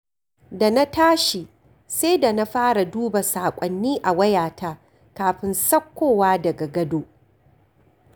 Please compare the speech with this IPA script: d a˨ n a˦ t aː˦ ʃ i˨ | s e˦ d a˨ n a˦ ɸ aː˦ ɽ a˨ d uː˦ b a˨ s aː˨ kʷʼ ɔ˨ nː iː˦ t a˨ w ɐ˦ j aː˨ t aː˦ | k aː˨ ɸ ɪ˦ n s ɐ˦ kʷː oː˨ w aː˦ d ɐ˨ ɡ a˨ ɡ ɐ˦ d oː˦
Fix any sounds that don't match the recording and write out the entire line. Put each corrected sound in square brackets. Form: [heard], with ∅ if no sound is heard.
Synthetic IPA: d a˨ n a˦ t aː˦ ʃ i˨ | s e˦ d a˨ n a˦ ɸ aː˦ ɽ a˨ d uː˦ b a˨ s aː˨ kʷʼ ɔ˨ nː iː˦ [ʔ] a˨ w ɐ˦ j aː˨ t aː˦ | k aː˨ ɸ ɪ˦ n s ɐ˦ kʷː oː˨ w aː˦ d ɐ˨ ɡ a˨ ɡ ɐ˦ d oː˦